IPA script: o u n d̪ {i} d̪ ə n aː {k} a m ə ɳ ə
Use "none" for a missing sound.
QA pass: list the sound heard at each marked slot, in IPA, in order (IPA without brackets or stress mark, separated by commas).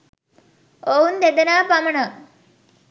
e, p